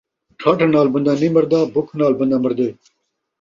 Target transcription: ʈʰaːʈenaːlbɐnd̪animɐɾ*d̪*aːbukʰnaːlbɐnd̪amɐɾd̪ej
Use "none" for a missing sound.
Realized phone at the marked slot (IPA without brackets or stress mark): d̪